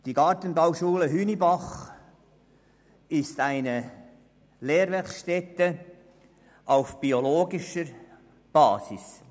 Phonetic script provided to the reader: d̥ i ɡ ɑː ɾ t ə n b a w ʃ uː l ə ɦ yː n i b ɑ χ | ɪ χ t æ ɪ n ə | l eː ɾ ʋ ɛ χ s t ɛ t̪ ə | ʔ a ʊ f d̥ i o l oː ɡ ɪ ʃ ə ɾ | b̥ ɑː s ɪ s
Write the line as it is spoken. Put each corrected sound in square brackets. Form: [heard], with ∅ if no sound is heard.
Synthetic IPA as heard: d̥ i ɡ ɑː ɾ t ə n b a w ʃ uː l ə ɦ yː n i b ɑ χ | ɪ [s] t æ ɪ n ə | l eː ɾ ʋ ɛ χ [ʃ] t ɛ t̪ ə | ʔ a ʊ f [b̥] i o l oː ɡ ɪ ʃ ə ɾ | b̥ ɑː s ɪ s